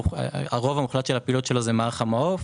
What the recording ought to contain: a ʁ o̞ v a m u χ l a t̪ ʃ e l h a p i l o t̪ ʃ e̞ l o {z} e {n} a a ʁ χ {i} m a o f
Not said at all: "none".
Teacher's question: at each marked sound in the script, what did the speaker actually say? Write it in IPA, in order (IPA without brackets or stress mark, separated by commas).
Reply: z, m, a